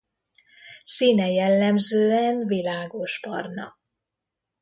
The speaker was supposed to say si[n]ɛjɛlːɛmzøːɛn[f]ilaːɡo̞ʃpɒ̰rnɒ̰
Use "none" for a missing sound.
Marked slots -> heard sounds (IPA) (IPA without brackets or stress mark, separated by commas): n, v